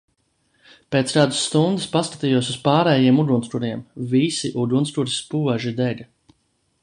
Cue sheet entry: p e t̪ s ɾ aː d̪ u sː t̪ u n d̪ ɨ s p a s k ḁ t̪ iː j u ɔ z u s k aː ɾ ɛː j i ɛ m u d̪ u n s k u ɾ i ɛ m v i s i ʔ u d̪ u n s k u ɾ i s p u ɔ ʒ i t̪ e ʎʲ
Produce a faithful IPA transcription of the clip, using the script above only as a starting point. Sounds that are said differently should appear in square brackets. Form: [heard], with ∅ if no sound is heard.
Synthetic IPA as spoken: p e t̪ s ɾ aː d̪ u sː t̪ u n d̪ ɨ s p a s k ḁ t̪ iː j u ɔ [s] u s [p] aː ɾ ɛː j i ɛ m u d̪ u n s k u ɾ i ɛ m v i s i ʔ u d̪ u n s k u ɾ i s p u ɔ ʒ i [d̪] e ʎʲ